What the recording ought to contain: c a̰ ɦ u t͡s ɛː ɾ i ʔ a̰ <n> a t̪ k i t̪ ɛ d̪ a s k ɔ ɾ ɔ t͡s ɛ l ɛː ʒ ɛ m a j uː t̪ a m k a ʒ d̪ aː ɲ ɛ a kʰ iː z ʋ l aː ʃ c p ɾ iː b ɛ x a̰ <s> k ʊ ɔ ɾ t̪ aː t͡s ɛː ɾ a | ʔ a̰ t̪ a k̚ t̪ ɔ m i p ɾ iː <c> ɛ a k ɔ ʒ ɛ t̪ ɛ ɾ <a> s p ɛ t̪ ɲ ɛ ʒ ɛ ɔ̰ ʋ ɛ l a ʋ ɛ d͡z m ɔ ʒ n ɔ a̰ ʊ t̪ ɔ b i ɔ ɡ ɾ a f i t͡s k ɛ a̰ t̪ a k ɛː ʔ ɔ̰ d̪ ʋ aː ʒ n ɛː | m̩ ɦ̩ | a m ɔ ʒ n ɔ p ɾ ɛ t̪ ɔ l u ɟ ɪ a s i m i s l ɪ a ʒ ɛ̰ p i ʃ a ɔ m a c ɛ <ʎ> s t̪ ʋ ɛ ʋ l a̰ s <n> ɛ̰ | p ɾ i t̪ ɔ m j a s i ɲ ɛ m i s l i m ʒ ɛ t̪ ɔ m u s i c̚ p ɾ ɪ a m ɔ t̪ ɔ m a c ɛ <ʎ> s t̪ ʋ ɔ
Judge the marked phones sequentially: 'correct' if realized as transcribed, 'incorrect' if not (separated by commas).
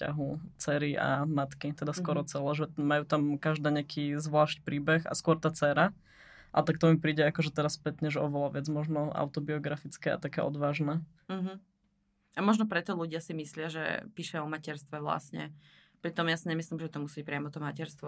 incorrect, correct, incorrect, correct, incorrect, incorrect, incorrect